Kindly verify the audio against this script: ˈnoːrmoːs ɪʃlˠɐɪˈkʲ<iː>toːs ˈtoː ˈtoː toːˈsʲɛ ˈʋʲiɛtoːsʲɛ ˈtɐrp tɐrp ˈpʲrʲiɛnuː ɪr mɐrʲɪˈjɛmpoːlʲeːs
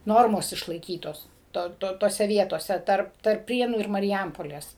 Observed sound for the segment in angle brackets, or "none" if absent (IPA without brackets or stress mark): iː